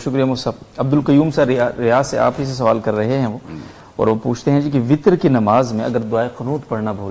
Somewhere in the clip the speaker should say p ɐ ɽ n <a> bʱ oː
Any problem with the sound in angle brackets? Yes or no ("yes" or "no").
no